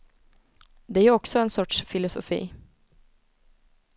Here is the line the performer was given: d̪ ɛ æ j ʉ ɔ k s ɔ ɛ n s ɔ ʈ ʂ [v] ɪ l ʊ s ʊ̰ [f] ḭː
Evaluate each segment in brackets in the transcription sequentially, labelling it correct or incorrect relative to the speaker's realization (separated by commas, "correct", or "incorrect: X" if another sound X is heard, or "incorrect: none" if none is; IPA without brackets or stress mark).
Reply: incorrect: f, correct